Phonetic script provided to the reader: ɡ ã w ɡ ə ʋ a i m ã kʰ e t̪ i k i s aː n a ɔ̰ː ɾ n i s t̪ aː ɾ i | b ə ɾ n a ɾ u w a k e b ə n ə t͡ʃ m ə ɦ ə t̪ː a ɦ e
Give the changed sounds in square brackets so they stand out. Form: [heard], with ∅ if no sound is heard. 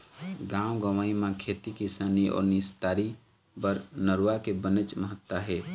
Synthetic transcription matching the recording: ɡ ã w ɡ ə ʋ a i m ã kʰ e t̪ i k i s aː n [i] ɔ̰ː ɾ n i s t̪ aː ɾ i | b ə ɾ n [ə] ɾ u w a k e b ə n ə t͡ʃ m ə ɦ ə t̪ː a ɦ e

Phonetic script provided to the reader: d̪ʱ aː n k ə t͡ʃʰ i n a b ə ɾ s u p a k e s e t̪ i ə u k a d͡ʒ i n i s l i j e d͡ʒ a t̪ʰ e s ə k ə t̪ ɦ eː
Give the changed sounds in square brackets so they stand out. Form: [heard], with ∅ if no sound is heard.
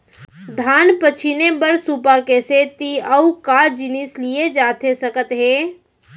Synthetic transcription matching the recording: d̪ʱ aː n [p] ə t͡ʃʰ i n [e] b ə ɾ s u p a k e s e t̪ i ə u k a d͡ʒ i n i s l i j e d͡ʒ a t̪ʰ e s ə k ə t̪ ɦ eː

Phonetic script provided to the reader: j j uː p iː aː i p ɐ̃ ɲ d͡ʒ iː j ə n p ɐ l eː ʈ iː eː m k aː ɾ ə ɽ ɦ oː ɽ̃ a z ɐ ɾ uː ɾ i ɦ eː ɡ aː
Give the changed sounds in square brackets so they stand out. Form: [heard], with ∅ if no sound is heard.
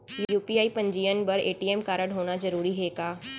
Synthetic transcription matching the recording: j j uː p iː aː i p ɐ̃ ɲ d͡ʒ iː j ə n [b] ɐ [ɾ] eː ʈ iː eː m k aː ɾ ə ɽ ɦ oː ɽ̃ a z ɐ ɾ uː ɾ i ɦ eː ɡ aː

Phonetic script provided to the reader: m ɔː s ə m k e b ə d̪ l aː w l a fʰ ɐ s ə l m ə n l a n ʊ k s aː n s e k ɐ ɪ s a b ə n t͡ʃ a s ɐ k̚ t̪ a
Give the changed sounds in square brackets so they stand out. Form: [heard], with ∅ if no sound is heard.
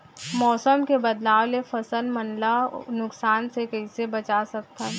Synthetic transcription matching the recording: m ɔː s ə m k e b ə d̪ l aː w l [e] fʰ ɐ s ə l m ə n l a n ʊ k s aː n s e k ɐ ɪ s [e] b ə [∅] t͡ʃ a s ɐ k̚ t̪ a

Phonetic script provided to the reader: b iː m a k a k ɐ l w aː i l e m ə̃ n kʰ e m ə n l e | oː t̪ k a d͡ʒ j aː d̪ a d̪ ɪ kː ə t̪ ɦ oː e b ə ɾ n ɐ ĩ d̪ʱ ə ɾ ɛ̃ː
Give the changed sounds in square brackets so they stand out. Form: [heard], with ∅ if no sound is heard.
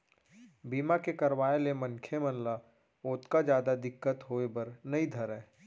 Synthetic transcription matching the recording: b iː m a k [e] k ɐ [ɾ] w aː [e] l e m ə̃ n kʰ e m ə n l [a] | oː t̪ k a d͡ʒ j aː d̪ a d̪ ɪ kː ə t̪ ɦ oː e b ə ɾ n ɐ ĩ d̪ʱ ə ɾ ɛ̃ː

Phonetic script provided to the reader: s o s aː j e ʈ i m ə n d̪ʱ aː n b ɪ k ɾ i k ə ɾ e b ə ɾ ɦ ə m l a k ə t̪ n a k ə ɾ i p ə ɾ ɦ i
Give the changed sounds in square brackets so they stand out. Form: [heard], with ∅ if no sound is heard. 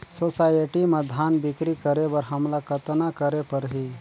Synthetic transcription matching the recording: s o s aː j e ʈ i m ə [∅] d̪ʱ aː n b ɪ k ɾ i k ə ɾ e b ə ɾ ɦ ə m l a k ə t̪ n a k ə ɾ [e] p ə ɾ ɦ i

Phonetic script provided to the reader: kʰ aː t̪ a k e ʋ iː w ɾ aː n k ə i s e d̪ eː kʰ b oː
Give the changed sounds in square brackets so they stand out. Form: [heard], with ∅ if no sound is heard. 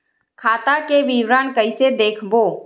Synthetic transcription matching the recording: kʰ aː t̪ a k e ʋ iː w ɾ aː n k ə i s e d̪ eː kʰ b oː

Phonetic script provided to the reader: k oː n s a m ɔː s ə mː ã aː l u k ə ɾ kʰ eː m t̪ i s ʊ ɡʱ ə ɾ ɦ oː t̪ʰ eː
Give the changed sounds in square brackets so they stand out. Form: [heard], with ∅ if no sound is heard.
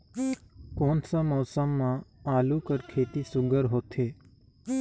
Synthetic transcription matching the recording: k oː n s a m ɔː s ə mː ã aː l u k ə ɾ kʰ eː [∅] t̪ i s ʊ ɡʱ ə ɾ ɦ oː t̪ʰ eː

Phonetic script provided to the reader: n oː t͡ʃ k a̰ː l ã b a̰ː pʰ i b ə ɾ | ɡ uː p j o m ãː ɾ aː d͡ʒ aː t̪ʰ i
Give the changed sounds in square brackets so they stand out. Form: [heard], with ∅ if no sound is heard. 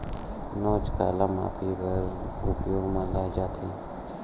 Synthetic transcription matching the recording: n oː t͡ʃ k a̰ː l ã [m] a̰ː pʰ i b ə ɾ | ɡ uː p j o m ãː [l] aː d͡ʒ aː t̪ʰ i

